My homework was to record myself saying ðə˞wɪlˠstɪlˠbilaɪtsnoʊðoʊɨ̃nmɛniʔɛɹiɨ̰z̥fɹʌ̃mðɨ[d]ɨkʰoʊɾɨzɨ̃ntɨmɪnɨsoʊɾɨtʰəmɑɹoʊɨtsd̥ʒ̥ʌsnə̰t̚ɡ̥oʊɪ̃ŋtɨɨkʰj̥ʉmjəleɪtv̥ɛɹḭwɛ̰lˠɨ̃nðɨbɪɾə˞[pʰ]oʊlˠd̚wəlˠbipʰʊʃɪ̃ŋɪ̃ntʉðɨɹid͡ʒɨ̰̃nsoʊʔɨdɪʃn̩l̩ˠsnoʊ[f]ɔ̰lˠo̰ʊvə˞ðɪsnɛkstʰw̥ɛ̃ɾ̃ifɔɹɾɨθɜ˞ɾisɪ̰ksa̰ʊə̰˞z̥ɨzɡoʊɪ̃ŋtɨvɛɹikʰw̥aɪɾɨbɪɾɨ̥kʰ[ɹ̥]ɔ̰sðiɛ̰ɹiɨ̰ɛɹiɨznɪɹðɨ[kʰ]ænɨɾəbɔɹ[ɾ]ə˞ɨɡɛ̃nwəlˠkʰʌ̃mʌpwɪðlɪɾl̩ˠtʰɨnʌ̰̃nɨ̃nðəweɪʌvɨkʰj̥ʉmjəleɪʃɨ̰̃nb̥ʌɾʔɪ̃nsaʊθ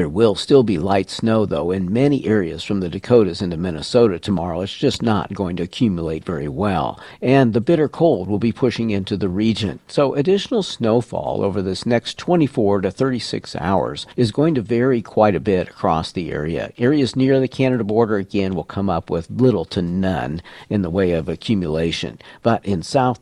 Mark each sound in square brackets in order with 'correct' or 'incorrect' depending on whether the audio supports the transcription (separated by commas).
correct, incorrect, correct, correct, correct, correct